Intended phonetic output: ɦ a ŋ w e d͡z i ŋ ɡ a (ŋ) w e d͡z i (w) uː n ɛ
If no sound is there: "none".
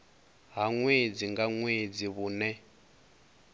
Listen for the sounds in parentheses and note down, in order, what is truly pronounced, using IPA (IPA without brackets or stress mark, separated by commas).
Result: ŋ, β